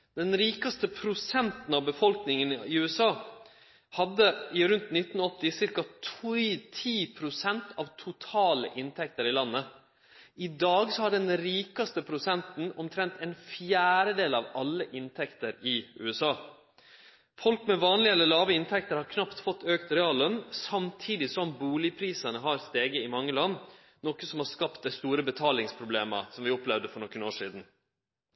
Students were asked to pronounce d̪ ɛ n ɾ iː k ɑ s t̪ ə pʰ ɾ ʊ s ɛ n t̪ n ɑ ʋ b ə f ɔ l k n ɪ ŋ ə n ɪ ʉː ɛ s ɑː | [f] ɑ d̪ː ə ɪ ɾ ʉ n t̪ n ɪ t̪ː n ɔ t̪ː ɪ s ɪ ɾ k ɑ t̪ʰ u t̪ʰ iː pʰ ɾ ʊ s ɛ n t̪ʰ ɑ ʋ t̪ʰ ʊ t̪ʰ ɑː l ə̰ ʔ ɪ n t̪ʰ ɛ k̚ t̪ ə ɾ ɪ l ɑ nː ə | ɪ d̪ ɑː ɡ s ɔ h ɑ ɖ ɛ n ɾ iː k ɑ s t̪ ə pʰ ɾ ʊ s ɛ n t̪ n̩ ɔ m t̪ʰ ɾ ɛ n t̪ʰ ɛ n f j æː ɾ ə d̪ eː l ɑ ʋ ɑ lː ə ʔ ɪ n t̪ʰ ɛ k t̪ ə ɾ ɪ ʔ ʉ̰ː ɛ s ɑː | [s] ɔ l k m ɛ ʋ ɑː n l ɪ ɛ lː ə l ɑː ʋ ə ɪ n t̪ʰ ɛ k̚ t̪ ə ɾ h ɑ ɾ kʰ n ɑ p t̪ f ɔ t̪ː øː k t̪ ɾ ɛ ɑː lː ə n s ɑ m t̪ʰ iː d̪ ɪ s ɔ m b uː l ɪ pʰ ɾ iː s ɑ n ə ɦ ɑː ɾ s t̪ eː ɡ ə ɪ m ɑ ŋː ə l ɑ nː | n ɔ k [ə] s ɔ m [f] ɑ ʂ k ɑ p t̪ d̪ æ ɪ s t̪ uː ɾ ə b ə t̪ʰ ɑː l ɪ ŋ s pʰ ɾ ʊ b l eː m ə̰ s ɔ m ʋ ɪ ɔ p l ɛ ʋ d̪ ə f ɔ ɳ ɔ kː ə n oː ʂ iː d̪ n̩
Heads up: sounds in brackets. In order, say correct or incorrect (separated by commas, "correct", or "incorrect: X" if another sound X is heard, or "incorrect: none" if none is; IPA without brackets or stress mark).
incorrect: h, incorrect: f, correct, incorrect: h